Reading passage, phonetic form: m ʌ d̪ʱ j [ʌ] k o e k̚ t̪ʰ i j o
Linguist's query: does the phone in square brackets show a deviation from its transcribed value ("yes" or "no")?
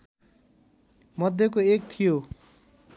no